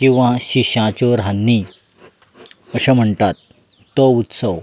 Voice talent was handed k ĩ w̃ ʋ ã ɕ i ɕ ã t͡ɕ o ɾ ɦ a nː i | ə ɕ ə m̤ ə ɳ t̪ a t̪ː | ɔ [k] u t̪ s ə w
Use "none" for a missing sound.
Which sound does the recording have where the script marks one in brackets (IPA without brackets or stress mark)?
none